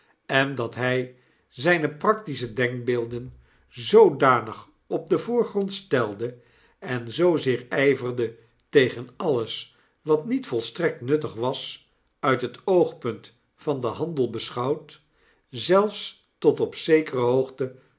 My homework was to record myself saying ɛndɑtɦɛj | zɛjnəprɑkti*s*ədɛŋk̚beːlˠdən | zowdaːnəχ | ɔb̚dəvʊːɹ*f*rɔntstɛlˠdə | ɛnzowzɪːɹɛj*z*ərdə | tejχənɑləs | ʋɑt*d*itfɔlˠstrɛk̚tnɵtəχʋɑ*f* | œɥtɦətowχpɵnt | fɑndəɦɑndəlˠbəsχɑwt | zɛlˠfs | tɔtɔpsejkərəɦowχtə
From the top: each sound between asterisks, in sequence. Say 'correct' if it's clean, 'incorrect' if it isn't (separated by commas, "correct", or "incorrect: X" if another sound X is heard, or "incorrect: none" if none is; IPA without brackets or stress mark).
correct, incorrect: χ, incorrect: v, incorrect: n, incorrect: s